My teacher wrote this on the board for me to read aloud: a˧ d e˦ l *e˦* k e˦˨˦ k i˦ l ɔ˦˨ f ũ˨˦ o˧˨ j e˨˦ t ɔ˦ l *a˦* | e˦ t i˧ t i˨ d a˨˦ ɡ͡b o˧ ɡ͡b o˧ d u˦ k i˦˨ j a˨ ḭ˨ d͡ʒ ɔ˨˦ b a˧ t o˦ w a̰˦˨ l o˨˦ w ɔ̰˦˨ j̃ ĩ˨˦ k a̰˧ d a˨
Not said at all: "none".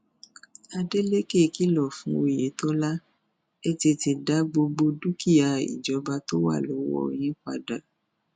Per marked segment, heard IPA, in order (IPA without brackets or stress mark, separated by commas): e˦, a˦